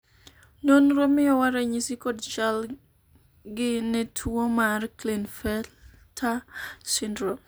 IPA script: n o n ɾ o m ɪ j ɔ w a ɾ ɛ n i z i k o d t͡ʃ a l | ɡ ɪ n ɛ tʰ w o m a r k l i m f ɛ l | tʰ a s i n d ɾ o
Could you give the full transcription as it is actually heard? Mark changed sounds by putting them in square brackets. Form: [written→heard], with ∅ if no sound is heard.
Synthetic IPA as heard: n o n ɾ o m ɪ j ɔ w a ɾ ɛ [n→ɲ] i [z→s] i k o d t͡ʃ a l | ɡ ɪ n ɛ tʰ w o m a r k l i [m→n] f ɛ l | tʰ a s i n d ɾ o

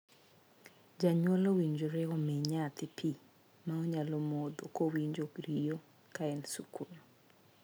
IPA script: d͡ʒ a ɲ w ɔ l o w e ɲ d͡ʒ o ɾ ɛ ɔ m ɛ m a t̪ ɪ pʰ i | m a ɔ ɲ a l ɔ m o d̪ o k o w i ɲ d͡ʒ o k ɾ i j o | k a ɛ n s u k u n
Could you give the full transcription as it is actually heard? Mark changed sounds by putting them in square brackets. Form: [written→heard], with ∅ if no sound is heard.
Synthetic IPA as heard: d͡ʒ a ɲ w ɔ l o w [e→i] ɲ d͡ʒ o ɾ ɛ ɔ m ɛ [m→ɲ] a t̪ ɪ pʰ i | m a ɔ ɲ a l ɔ m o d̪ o k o w i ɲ d͡ʒ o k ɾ i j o | k a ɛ n s u k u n

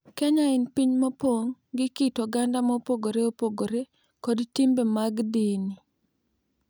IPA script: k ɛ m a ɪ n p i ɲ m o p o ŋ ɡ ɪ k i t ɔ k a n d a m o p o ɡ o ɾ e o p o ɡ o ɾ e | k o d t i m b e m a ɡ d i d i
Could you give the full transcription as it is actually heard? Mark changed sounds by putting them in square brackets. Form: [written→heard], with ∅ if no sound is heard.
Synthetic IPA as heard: k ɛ [m→ɲ] a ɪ n p i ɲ m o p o ŋ ɡ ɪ k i t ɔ [k→ɡ] a n d a m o p o ɡ o ɾ e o p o ɡ o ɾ e | k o d t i m b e m a ɡ d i [d→n] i

